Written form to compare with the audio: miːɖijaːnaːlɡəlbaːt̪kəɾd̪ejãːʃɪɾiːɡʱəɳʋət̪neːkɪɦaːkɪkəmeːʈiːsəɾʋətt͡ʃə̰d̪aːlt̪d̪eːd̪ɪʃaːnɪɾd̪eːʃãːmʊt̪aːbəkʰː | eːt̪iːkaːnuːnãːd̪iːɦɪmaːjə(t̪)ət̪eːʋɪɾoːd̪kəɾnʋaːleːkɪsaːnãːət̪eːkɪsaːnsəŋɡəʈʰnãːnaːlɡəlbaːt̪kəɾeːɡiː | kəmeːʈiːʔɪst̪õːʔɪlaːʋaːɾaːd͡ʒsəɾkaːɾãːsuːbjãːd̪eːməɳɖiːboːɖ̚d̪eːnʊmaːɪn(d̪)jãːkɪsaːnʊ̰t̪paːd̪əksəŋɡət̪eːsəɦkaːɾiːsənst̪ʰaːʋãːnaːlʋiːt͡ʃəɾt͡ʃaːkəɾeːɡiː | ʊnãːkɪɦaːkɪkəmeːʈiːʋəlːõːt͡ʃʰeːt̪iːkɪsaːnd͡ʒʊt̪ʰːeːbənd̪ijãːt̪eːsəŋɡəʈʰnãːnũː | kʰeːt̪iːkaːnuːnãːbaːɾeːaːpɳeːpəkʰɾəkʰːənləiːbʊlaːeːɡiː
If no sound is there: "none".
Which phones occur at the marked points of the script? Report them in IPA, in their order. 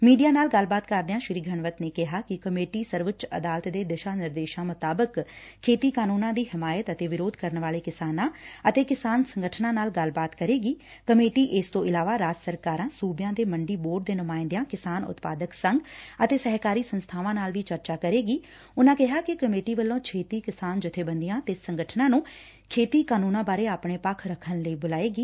t̪, d̪

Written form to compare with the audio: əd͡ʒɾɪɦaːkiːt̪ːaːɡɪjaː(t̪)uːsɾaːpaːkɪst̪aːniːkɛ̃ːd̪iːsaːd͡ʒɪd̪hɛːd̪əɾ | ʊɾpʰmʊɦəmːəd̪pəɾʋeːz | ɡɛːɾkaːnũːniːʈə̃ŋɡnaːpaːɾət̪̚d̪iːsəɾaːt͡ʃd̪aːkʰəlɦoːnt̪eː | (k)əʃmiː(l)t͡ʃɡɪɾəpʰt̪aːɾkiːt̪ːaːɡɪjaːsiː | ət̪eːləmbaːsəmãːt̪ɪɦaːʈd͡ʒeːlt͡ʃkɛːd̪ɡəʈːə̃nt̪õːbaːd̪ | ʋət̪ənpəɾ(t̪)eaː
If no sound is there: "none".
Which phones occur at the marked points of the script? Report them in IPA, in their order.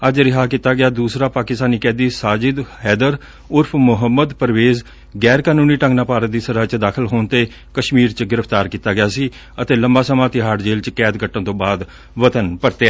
d̪, k, ɾ, t̪

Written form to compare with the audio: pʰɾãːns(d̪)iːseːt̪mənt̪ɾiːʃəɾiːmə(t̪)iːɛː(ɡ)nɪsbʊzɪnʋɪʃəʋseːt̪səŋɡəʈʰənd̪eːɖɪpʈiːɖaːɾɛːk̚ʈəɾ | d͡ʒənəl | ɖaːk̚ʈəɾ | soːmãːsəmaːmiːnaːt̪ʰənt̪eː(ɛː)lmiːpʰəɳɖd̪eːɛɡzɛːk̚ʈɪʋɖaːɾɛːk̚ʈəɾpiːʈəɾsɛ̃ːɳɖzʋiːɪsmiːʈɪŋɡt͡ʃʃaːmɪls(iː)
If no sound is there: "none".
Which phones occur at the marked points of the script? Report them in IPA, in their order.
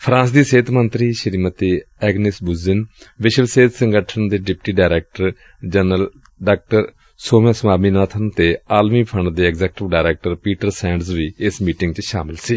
d̪, t̪, ɡ, aː, iː

